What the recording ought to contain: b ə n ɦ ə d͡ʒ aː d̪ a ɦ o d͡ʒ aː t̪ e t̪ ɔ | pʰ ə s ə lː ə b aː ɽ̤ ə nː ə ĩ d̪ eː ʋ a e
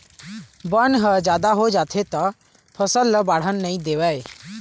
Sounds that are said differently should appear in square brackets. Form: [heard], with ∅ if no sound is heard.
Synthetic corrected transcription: b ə n ɦ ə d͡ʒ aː d̪ a ɦ o d͡ʒ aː [t̪ʰ] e t̪ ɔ | pʰ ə s ə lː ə b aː ɽ̤ ə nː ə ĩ d̪ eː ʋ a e